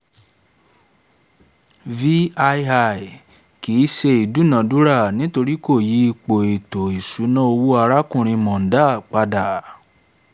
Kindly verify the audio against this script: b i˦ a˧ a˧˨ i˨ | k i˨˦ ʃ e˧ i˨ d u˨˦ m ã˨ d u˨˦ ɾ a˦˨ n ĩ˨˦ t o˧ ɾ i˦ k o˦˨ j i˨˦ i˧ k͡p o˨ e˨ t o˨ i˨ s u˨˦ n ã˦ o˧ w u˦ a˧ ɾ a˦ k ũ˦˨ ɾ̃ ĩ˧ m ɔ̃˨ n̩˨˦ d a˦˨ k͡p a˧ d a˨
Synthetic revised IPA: v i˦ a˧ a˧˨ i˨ | k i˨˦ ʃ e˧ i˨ d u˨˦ n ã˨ d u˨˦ ɾ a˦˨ n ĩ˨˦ t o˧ ɾ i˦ k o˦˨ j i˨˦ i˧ k͡p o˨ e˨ t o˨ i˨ s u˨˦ n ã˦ o˧ w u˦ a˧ ɾ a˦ k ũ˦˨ ɾ̃ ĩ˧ m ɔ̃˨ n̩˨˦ d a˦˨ k͡p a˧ d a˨